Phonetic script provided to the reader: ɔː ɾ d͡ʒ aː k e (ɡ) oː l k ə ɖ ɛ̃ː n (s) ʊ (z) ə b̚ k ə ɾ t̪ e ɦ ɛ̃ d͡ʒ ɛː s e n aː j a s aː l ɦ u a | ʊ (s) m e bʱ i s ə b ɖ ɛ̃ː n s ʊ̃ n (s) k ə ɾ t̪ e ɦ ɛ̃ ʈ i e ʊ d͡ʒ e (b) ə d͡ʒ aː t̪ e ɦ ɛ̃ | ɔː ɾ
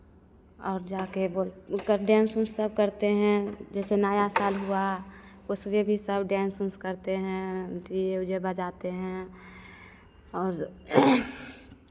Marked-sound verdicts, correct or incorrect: incorrect: b, correct, incorrect: s, correct, correct, correct

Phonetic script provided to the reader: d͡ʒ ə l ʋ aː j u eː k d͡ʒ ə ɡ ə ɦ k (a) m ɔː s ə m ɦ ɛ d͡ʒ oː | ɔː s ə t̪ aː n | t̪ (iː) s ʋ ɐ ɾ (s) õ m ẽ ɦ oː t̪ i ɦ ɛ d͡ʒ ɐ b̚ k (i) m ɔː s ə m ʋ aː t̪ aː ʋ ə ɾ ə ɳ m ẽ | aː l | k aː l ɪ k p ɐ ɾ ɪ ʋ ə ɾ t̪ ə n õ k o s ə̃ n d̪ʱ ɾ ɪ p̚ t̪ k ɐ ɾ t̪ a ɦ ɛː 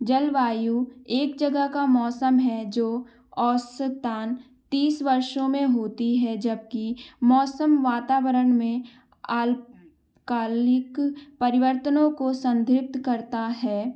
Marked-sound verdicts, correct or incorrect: correct, correct, incorrect: ʃ, correct

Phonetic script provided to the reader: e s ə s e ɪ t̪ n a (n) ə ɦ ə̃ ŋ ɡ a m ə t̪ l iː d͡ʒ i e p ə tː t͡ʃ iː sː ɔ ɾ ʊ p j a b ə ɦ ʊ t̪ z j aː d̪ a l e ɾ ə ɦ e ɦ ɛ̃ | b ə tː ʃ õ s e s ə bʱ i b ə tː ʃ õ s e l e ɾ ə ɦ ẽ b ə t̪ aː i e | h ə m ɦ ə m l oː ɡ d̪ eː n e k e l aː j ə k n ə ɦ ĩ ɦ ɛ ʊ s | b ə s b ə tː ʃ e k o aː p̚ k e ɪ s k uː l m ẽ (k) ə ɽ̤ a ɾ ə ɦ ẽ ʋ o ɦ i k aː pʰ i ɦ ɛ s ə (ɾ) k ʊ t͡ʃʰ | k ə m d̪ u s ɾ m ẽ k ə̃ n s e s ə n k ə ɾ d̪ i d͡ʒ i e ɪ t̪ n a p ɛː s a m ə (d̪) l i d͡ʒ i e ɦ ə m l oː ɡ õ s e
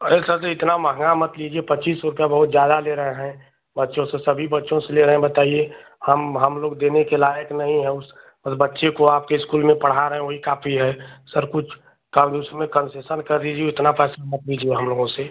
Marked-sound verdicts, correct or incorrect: incorrect: m, incorrect: p, correct, incorrect: t̪

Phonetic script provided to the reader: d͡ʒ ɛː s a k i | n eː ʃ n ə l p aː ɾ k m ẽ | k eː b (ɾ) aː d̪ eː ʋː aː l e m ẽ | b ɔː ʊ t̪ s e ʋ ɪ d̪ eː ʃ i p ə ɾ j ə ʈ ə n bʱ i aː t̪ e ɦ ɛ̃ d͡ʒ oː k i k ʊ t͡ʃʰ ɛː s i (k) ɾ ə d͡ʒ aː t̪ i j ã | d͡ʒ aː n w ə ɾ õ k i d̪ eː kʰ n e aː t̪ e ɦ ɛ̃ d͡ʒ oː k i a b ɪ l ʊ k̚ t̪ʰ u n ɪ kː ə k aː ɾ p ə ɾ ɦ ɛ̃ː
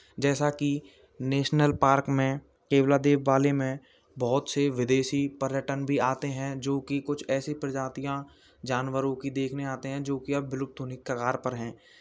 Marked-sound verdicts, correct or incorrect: incorrect: l, incorrect: p

